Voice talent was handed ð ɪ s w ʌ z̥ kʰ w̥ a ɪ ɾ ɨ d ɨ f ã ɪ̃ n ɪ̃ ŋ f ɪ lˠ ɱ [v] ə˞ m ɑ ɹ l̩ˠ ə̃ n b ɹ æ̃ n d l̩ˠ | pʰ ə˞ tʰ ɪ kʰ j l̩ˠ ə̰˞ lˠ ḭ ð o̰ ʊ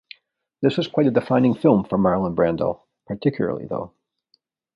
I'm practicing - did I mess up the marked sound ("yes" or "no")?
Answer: yes